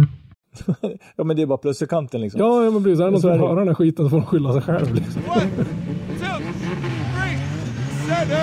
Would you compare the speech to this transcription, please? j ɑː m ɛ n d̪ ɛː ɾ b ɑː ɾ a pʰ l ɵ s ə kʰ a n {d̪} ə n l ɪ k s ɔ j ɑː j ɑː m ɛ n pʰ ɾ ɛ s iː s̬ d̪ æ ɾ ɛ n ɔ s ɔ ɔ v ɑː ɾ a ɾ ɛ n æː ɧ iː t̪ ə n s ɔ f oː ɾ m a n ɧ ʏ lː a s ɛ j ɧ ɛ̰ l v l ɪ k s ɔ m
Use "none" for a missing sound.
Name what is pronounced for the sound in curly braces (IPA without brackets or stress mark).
t̪